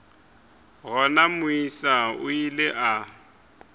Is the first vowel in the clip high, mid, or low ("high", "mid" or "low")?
mid